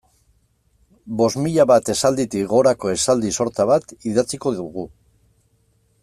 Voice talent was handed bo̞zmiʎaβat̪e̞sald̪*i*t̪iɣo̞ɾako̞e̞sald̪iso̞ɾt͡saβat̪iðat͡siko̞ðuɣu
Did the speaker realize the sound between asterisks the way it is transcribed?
yes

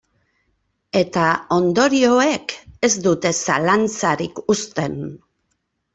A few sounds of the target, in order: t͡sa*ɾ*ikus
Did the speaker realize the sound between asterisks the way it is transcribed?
yes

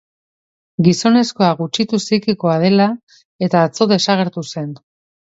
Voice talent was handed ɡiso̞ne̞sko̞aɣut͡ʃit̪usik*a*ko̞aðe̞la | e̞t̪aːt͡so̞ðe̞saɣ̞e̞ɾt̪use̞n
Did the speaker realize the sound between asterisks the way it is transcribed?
no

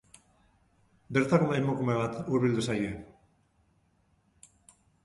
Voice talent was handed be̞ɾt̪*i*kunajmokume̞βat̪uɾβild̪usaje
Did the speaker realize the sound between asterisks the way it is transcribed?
no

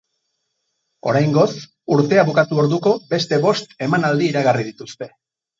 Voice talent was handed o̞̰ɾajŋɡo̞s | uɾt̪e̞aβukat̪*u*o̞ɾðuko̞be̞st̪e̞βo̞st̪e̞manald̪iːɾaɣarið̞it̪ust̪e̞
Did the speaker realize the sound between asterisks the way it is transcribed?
yes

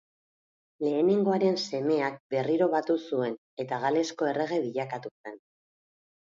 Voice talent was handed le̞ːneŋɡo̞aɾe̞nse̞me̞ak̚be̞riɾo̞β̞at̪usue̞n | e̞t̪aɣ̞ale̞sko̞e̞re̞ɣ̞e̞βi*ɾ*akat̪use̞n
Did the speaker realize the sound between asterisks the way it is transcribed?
no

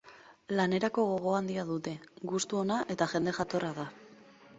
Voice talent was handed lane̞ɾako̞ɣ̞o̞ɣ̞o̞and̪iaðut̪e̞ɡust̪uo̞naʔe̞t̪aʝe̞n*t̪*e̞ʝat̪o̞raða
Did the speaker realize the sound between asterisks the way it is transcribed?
no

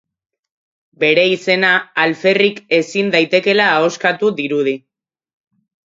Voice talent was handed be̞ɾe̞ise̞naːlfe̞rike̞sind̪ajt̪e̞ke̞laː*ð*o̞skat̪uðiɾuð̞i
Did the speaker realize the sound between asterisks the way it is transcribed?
no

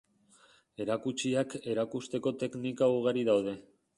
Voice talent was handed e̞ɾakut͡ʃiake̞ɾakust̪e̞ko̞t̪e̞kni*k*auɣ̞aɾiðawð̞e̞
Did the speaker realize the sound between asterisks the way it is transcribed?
yes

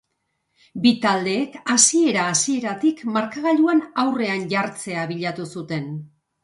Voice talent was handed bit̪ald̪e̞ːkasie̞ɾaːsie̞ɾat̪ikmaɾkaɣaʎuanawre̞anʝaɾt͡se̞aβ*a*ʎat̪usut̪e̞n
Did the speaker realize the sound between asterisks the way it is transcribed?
no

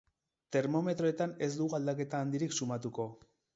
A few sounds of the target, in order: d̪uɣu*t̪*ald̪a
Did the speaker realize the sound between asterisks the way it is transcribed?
no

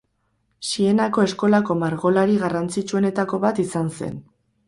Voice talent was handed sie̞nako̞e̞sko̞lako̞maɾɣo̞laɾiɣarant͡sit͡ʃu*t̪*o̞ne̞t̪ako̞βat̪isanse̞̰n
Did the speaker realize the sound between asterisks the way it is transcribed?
no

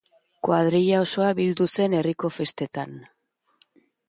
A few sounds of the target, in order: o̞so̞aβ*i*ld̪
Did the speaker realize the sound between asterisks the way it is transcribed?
yes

